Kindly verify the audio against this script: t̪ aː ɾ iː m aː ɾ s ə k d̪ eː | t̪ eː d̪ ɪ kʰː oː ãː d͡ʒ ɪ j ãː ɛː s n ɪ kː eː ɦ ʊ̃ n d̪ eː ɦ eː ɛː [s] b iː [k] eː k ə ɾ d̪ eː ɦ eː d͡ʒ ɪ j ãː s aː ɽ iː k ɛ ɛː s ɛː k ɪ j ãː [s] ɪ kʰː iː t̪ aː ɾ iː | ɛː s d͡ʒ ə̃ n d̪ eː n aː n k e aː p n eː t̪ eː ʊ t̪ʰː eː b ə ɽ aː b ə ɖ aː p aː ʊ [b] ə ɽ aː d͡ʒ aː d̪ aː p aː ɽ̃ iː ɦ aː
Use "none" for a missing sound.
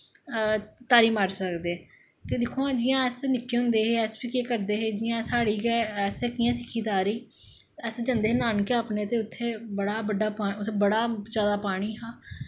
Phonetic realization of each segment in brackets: s, k, s, b

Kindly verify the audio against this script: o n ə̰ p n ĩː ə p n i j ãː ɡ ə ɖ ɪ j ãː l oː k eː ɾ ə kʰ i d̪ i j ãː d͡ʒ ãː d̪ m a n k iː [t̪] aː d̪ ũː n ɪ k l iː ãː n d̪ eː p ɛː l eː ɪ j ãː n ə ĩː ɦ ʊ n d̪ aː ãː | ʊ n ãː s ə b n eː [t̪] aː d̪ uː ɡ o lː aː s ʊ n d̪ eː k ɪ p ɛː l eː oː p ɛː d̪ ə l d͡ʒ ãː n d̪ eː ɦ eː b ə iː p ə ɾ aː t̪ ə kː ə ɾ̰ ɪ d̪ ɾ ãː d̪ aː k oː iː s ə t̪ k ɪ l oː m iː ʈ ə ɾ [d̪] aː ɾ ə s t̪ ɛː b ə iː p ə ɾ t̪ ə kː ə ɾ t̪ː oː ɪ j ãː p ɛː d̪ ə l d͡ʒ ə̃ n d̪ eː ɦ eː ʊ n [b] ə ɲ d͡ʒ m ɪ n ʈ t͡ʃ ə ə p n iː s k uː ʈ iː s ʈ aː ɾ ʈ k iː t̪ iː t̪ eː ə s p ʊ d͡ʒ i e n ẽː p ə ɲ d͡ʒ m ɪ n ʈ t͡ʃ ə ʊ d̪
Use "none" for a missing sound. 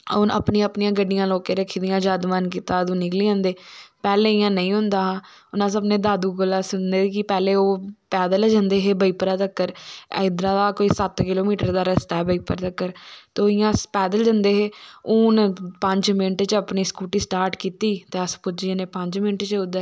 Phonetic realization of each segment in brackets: t̪, d̪, d̪, p

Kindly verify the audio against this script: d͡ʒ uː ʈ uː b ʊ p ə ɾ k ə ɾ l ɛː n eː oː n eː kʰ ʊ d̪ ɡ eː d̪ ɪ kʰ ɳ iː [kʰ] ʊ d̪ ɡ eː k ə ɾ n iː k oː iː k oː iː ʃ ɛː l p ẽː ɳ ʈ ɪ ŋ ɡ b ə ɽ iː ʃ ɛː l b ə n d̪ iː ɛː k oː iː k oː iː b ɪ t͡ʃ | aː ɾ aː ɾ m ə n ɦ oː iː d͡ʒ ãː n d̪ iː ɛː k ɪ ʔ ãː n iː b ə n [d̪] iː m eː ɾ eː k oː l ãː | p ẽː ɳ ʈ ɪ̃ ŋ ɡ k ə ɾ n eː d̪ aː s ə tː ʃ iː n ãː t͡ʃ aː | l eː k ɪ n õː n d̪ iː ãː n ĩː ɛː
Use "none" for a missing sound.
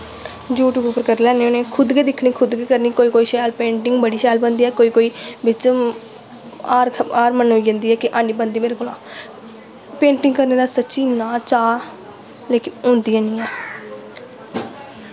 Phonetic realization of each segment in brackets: kʰ, d̪

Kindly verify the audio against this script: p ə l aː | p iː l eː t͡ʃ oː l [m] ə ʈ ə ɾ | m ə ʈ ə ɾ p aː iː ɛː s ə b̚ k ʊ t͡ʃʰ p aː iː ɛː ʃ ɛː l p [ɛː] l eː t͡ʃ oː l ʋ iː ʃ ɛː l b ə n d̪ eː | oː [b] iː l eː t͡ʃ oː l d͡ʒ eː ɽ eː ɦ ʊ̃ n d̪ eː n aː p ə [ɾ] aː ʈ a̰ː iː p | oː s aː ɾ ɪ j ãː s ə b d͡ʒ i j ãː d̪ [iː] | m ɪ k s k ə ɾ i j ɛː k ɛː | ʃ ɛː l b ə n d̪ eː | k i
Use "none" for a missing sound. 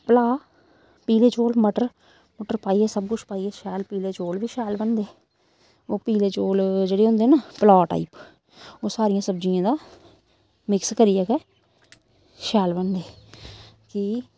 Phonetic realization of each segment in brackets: m, iː, p, l, aː

